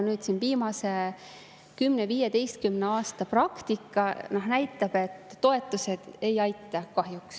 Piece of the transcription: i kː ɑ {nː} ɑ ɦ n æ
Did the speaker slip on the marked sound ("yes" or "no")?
yes